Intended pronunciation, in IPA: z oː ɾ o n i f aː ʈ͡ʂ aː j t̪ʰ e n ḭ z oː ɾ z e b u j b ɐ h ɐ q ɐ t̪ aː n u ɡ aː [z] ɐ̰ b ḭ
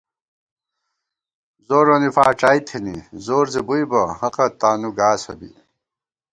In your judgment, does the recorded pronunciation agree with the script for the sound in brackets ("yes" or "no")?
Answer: no